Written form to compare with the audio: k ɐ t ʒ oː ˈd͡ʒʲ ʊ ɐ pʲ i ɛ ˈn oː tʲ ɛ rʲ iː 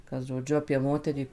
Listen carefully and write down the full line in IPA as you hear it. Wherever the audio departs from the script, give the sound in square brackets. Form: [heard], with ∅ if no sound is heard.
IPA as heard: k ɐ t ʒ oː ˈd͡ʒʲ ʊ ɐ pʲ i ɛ [ˈm] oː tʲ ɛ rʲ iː